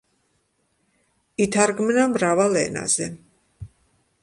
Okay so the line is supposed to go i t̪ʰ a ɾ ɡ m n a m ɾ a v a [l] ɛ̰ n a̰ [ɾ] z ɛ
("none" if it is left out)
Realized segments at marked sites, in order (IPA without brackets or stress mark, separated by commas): l, none